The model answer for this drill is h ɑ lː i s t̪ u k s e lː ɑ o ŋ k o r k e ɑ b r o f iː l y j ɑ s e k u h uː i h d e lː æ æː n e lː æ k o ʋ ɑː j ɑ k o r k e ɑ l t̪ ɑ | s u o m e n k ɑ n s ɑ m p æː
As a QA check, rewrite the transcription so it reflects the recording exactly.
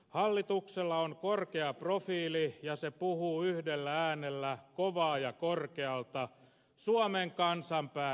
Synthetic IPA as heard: h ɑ lː i t̪ u k s e lː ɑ o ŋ k o r k e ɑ p r o f iː l i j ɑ s e p u h uː y h d e lː æ æː n e lː æ k o ʋ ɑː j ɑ k o r k e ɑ l t̪ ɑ | s u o m e ŋ k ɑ n s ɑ m p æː